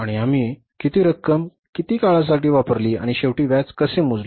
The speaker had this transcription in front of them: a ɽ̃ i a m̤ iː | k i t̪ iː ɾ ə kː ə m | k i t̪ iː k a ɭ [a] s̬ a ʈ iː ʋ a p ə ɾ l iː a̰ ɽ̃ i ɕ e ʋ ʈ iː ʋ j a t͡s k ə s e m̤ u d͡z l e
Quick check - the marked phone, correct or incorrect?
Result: correct